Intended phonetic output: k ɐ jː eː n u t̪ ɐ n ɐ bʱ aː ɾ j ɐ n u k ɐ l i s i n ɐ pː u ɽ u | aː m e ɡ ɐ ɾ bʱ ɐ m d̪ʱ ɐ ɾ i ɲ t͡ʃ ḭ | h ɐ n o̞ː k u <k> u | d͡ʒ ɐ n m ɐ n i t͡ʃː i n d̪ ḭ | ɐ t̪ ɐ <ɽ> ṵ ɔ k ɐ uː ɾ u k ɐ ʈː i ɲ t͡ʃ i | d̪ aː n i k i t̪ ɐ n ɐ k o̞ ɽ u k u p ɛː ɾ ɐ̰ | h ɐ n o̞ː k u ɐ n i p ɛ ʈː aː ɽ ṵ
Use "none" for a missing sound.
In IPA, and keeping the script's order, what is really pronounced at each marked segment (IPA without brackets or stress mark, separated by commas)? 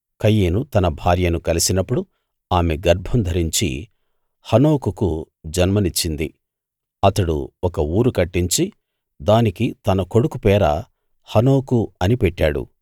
k, ɽ